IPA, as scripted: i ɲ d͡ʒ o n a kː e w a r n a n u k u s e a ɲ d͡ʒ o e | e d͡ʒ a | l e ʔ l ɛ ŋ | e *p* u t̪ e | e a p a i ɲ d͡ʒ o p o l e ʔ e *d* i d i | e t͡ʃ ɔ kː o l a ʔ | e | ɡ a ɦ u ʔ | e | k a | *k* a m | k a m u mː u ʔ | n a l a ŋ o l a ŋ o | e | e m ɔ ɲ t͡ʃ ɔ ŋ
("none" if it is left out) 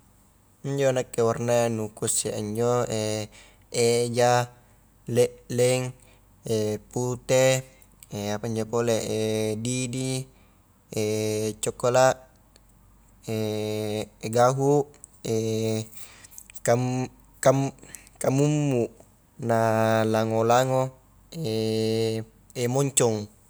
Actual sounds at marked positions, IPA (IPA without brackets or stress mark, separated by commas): p, d, k